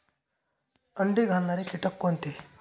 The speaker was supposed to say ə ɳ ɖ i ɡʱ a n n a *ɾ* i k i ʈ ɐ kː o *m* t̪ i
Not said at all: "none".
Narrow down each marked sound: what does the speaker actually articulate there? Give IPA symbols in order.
ɾ, n

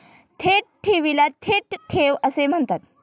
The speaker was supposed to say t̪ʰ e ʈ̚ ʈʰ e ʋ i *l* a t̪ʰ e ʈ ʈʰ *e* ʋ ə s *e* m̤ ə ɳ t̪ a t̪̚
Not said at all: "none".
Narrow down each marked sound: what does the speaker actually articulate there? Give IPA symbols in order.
l, e, e

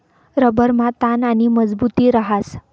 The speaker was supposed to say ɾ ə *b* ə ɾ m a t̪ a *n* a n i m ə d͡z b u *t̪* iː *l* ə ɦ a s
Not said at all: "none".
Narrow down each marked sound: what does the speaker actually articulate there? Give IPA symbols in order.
b, n, t̪, ɾ

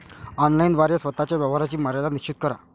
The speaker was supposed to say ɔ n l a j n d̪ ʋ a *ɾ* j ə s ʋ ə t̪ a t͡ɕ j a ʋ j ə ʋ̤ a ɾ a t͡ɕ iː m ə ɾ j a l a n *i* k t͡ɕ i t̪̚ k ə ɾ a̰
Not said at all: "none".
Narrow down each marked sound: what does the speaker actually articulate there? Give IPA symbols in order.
ɾ, i

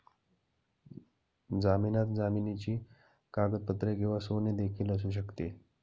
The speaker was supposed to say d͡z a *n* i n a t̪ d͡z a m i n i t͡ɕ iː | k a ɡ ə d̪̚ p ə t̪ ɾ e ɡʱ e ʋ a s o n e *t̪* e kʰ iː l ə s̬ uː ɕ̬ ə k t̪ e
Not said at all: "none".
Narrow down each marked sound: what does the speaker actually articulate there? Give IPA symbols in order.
m, d̪

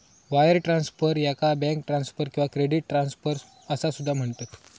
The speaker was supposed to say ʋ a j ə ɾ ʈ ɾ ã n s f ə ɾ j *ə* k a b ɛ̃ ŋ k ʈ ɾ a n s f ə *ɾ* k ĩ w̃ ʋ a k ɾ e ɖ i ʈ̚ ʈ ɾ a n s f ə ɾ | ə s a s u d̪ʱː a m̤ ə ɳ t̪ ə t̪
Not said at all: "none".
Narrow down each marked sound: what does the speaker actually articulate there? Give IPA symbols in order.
a, ɾ

